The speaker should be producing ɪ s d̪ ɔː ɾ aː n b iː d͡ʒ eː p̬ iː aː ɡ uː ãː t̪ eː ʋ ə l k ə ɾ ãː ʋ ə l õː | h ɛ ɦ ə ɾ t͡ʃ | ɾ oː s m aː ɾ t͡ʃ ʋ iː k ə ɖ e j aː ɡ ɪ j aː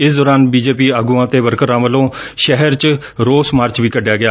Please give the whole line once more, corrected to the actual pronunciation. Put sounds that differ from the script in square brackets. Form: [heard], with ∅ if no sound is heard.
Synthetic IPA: ɪ s d̪ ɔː ɾ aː n b iː d͡ʒ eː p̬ iː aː ɡ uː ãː t̪ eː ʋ ə [ɾ] k ə ɾ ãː ʋ ə l õː | [ʃ] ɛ ɦ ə ɾ t͡ʃ | ɾ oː s m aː ɾ t͡ʃ ʋ iː k ə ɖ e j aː ɡ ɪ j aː